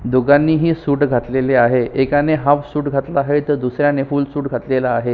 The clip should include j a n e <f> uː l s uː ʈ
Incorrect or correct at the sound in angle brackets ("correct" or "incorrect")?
correct